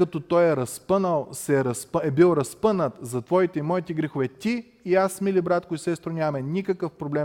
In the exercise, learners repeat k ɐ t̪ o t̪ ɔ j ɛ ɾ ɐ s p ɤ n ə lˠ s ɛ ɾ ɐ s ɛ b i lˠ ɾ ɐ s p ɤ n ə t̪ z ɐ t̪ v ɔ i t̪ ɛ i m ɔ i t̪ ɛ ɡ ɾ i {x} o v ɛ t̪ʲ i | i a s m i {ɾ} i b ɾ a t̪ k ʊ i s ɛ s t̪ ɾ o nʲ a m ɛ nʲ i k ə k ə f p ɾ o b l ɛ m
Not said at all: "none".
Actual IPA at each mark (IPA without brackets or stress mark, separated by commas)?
x, l